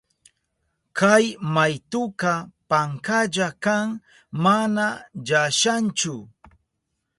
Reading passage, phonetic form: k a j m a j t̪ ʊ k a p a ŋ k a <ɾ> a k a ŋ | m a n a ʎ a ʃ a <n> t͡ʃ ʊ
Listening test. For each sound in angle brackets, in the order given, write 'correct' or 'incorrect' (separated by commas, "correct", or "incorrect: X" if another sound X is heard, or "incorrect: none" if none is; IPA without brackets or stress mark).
incorrect: ʎ, correct